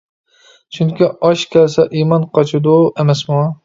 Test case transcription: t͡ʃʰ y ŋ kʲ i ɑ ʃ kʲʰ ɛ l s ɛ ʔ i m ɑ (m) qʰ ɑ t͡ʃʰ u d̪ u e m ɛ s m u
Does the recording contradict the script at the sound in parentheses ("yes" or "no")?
yes